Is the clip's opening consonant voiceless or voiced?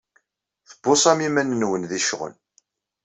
voiceless